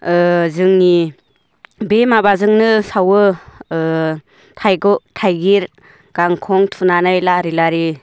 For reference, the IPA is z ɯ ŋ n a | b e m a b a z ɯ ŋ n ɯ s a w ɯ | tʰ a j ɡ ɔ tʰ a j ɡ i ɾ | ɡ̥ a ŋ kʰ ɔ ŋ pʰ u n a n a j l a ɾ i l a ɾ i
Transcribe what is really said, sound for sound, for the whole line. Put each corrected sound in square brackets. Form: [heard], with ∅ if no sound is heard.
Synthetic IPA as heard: z ɯ ŋ n [i] | b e m a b a z ɯ ŋ n ɯ s a w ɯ | tʰ a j ɡ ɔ tʰ a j ɡ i ɾ | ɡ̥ a ŋ kʰ ɔ ŋ [tʰ] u n a n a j l a ɾ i l a ɾ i

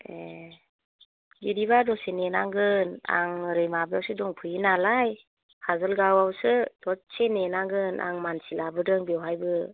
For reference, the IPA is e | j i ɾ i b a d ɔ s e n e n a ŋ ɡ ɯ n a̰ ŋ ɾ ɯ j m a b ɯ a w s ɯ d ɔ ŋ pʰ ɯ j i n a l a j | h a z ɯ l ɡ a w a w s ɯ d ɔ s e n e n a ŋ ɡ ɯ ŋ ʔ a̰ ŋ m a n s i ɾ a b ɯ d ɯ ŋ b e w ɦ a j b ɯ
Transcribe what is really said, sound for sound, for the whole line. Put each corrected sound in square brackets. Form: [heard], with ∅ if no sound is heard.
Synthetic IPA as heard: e | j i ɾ i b a d ɔ s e n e n a ŋ ɡ ɯ n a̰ ŋ ɾ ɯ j m a b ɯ a w s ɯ d ɔ ŋ pʰ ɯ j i n a l a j | h a z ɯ l ɡ a w a w s ɯ d ɔ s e n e n a ŋ ɡ ɯ [n] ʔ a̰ ŋ m a n s i [l] a b ɯ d ɯ ŋ b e w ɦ a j b ɯ

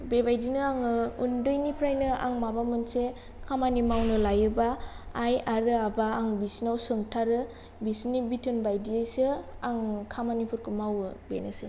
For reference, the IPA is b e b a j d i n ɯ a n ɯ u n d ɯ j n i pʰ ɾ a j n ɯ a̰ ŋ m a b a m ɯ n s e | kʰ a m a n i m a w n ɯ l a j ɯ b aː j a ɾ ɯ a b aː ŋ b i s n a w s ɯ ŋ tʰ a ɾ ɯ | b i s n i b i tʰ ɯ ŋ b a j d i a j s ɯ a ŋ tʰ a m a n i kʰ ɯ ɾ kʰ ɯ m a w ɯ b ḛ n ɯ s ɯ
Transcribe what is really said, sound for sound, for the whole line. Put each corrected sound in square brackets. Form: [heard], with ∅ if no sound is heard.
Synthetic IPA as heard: b e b a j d i n ɯ a [ŋ] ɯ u n d ɯ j n i pʰ ɾ a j n ɯ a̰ ŋ m a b a m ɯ n s e | kʰ a m a n i m a w n ɯ l a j ɯ b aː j a ɾ ɯ a b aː ŋ b i s n a w s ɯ ŋ tʰ a ɾ ɯ | b i s n i b i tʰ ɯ [n] b a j d i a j s ɯ a ŋ [kʰ] a m a n i [pʰ] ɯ ɾ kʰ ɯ m a w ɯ b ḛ n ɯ s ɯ

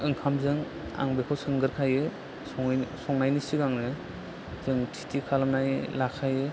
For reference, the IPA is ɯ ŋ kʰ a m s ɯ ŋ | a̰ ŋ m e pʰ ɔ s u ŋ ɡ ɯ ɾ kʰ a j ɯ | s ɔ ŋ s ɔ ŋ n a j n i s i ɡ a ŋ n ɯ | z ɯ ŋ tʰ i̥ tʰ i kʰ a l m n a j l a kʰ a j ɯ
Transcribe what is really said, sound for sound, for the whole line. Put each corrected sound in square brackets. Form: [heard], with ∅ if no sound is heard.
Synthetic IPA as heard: ɯ ŋ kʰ a m [z] ɯ ŋ | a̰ ŋ [b] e [kʰ] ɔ s [ɯ] ŋ ɡ ɯ ɾ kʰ a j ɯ | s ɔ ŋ s ɔ ŋ n a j n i s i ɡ a ŋ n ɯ | z ɯ ŋ tʰ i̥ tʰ i kʰ a l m n a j l a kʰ a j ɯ

